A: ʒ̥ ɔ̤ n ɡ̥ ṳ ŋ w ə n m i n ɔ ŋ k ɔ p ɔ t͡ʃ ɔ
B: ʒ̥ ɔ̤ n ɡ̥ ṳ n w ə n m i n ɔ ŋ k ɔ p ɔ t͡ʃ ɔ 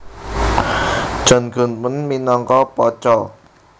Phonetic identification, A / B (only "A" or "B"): B